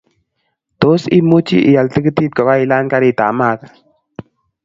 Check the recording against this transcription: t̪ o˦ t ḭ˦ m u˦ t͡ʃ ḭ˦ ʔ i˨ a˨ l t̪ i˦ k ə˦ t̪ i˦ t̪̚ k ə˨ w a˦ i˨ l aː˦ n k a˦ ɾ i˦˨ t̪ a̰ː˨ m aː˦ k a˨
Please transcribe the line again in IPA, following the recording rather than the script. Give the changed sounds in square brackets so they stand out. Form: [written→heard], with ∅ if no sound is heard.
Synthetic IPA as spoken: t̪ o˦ [t→s] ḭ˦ m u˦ t͡ʃ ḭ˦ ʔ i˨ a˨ l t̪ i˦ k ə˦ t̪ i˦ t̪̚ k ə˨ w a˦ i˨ l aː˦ n k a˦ ɾ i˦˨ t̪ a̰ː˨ m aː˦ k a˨